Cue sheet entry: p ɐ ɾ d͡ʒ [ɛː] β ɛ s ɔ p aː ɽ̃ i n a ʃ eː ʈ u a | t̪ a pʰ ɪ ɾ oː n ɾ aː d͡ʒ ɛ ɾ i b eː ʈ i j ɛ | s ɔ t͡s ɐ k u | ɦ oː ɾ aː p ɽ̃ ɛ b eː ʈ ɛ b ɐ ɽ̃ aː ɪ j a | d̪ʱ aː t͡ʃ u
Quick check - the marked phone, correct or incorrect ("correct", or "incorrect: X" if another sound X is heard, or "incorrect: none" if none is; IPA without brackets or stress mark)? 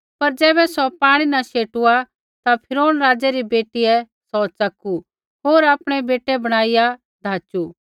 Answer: correct